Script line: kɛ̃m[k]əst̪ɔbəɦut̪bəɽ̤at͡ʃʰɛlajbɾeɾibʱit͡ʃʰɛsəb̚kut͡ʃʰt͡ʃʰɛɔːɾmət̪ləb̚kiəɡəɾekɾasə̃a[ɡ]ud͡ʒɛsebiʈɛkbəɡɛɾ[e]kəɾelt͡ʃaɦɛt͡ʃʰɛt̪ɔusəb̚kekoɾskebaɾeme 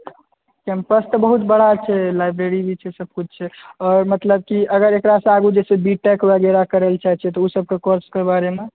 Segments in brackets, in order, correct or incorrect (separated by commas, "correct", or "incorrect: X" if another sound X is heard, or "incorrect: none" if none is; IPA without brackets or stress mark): incorrect: p, correct, incorrect: a